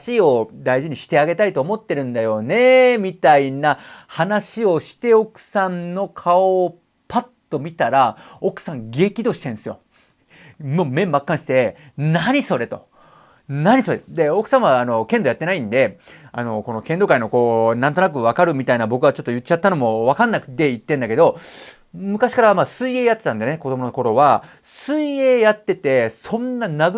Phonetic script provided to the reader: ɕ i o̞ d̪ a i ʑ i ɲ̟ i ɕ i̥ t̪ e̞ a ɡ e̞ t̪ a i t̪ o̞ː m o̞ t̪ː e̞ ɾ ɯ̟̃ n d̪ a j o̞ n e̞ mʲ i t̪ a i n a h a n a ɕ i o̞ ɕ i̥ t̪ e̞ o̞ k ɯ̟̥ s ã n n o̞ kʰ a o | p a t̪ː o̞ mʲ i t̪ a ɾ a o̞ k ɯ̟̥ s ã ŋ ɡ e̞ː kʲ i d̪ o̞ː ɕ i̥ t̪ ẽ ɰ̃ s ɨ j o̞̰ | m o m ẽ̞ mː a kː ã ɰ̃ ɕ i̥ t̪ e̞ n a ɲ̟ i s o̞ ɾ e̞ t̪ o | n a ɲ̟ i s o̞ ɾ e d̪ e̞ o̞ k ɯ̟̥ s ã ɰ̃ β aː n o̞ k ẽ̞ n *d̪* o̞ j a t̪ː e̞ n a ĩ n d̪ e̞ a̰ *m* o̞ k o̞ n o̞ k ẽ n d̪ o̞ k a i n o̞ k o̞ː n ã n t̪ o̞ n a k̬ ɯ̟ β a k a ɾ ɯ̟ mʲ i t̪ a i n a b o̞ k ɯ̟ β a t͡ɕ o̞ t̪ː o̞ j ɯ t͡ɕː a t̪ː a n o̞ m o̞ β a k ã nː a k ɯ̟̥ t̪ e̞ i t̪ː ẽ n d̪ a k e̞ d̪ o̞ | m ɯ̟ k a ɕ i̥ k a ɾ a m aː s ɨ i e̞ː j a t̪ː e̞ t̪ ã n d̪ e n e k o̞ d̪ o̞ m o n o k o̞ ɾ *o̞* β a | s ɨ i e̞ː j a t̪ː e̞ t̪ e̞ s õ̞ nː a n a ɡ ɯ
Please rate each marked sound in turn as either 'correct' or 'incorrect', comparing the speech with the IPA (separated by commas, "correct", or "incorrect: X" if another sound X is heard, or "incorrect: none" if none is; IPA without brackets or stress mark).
correct, incorrect: n, correct